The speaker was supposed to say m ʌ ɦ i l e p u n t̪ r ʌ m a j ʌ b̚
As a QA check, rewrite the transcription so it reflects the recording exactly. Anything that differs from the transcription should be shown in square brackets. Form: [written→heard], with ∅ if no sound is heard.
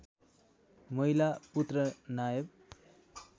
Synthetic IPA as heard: m ʌ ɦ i l [e→a] p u [n→∅] t̪ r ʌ [m→n] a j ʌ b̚